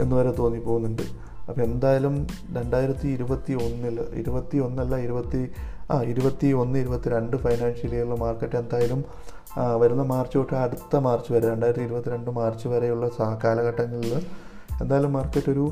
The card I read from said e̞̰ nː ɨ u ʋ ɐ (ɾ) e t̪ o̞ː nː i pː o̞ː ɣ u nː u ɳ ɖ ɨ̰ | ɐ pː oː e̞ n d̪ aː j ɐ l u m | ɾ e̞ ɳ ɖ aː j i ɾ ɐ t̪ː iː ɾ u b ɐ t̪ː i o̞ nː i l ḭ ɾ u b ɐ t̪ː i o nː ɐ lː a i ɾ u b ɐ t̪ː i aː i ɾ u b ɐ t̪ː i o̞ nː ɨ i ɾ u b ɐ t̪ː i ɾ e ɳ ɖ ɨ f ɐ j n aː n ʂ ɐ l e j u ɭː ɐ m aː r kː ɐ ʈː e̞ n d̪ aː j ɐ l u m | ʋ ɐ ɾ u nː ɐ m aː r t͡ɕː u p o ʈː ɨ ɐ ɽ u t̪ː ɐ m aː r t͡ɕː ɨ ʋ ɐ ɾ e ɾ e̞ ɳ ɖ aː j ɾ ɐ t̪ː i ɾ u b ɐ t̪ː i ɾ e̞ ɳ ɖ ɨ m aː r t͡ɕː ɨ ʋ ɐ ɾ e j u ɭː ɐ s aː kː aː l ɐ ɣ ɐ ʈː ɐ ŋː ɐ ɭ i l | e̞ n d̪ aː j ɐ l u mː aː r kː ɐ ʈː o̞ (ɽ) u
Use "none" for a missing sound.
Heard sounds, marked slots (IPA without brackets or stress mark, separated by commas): ɾ, ɾ